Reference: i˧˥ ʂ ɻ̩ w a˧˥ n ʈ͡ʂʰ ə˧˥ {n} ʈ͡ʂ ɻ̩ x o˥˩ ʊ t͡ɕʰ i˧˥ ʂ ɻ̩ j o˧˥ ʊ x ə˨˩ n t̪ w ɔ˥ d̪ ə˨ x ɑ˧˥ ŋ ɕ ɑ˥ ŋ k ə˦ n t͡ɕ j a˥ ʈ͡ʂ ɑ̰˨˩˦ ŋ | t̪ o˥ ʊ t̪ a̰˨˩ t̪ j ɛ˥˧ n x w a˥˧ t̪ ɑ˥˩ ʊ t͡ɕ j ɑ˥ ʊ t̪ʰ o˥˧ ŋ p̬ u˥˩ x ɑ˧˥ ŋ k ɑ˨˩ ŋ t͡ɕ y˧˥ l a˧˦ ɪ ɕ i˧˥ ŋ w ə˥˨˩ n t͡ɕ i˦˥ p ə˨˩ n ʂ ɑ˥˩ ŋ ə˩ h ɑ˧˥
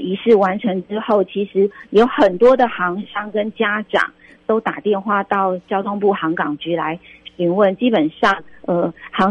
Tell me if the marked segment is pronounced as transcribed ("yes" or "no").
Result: no